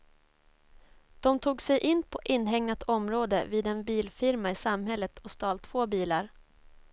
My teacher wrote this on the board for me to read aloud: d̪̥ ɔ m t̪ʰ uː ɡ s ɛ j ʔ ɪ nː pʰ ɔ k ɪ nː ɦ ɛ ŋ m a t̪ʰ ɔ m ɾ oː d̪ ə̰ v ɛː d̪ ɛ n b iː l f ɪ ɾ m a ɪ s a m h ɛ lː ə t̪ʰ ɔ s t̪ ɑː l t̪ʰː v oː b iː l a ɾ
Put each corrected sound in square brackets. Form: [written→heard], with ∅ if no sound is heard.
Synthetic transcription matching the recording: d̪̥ ɔ m t̪ʰ uː ɡ s ɛ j ʔ ɪ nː pʰ ɔ [k→ʔ] ɪ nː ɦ ɛ ŋ [m→n] a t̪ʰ ɔ m ɾ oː d̪ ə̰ v [ɛː→iː] d̪ ɛ n b iː l f ɪ ɾ m a ɪ s a m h ɛ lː ə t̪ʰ ɔ s t̪ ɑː l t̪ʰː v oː b iː l a ɾ

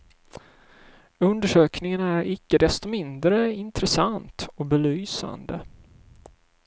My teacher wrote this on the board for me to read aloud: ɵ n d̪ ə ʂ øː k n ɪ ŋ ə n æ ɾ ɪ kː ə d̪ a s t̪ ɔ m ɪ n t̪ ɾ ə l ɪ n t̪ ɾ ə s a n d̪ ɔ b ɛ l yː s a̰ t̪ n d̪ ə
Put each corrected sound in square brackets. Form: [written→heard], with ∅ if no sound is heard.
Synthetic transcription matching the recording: ɵ n d̪ ə ʂ øː k n ɪ ŋ ə n æ ɾ ɪ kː ə d̪ [a→ɛ] s t̪ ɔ m ɪ n [t̪→d̪] ɾ ə [l→∅] ɪ n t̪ ɾ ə s a n [d̪→t̪] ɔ b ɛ l yː s a̰ [t̪→∅] n d̪ ə

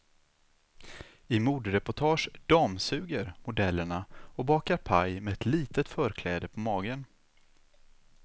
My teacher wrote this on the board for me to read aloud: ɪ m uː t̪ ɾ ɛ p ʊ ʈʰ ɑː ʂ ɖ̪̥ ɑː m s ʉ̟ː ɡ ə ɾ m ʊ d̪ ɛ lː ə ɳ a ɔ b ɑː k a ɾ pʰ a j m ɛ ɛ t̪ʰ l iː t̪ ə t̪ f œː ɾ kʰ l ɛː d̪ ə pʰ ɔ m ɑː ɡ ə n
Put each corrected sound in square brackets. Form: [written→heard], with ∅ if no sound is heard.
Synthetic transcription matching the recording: ɪ m uː [t̪→d̪] ɾ ɛ p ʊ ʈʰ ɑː ʂ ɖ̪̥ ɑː m s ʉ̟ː ɡ ə ɾ m ʊ d̪ ɛ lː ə ɳ a ɔ b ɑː k a ɾ pʰ a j m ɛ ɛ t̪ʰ l iː t̪ ə t̪ f œː ɾ kʰ l ɛː d̪ ə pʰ ɔ m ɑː ɡ ə n

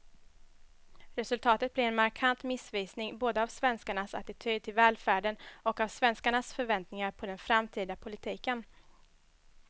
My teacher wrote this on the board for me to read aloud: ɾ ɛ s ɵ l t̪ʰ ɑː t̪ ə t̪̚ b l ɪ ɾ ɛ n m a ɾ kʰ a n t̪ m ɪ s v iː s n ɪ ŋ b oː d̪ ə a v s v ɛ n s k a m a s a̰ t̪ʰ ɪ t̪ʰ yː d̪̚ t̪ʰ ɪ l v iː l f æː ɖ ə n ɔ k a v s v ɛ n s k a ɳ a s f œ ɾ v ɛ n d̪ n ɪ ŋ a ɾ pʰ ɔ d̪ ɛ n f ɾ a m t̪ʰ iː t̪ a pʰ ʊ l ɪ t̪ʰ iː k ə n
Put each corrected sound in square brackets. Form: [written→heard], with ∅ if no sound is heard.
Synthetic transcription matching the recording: ɾ ɛ s ɵ l t̪ʰ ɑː t̪ ə t̪̚ b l ɪ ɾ ɛ n m a ɾ kʰ a n t̪ m ɪ s v iː s n ɪ ŋ b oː d̪ ə a v s v ɛ n s k a [m→ɳ] a s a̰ [t̪ʰ→t̪] ɪ t̪ʰ yː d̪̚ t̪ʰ ɪ l v [iː→ɛː] l f æː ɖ ə n ɔ k a v s v ɛ n s k a ɳ a s f œ ɾ v ɛ n [d̪→t̪] n ɪ ŋ a ɾ pʰ ɔ d̪ ɛ n f ɾ a m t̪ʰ iː [t̪→d̪] a pʰ ʊ l ɪ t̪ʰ iː k ə n

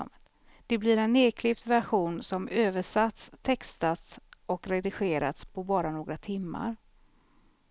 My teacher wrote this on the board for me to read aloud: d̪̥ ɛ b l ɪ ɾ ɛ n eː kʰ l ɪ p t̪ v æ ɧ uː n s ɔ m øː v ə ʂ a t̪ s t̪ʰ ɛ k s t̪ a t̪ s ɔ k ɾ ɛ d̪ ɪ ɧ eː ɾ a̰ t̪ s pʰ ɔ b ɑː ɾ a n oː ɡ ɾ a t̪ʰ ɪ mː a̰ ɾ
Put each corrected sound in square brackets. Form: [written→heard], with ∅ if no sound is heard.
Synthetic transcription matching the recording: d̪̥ ɛ b l ɪ ɾ ɛ n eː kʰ l ɪ p t̪ v æ ɧ uː n s ɔ m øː v ə ʂ a t̪ s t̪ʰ ɛ k s t̪ a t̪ s ɔ k ɾ ɛ d̪ ɪ ɧ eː ɾ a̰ t̪ s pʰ ɔ b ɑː ɾ a n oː ɡ ɾ a t̪ʰ ɪ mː a̰ ɾ

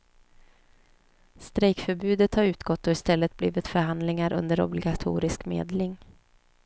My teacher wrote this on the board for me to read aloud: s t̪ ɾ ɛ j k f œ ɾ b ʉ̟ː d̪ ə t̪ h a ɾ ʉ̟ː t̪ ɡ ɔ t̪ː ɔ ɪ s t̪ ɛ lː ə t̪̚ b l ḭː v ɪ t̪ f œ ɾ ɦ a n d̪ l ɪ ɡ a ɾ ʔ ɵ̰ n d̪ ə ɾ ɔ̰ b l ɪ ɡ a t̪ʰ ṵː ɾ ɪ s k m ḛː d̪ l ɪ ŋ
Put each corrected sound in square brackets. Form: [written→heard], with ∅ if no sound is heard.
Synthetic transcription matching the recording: s t̪ ɾ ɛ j k f œ ɾ b ʉ̟ː d̪ ə t̪ h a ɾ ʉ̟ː t̪ ɡ ɔ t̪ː ɔ ɪ s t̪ ɛ lː ə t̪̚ b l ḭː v ɪ t̪ f œ ɾ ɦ a n d̪ l ɪ [ɡ→ŋ] a ɾ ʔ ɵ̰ n d̪ ə ɾ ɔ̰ b l ɪ ɡ a t̪ʰ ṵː ɾ ɪ s k m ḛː d̪ l ɪ ŋ

